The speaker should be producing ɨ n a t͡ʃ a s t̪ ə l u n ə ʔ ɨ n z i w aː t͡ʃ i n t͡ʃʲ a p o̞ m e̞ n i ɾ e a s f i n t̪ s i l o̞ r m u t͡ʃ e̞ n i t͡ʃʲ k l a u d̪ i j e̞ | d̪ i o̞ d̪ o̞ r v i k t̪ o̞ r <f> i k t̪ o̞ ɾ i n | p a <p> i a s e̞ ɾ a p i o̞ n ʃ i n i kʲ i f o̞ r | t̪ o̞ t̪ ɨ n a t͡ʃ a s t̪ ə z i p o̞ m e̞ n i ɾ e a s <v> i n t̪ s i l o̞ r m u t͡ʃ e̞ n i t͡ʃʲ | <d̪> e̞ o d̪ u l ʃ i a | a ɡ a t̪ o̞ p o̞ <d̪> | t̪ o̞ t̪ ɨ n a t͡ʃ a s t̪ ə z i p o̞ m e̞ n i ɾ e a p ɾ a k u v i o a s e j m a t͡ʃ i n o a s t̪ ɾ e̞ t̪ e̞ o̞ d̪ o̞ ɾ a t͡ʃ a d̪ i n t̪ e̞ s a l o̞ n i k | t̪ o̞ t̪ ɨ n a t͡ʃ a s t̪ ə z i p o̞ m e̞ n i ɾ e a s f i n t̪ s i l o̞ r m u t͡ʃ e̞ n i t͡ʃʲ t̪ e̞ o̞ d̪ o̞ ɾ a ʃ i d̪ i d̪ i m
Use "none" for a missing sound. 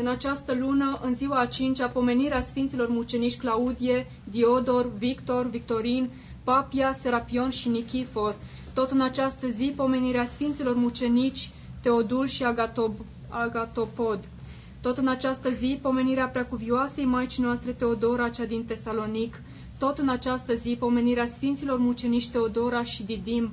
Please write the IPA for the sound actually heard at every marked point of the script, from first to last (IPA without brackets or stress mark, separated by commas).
v, p, f, t̪, d̪